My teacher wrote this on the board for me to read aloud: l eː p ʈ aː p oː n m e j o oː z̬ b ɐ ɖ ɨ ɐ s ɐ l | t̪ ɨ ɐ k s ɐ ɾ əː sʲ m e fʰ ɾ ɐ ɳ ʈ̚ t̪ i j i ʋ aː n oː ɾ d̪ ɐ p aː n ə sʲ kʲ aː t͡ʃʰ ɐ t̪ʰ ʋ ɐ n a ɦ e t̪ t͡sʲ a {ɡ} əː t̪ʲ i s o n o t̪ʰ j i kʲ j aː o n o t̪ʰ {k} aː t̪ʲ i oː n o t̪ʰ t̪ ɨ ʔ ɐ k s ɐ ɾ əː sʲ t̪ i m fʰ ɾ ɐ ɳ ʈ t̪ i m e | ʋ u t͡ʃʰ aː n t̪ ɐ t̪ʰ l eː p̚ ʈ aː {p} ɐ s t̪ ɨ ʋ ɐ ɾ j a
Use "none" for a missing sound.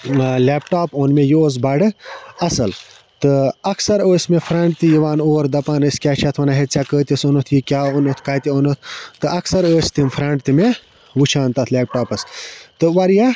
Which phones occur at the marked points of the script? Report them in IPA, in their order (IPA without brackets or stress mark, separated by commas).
k, k, p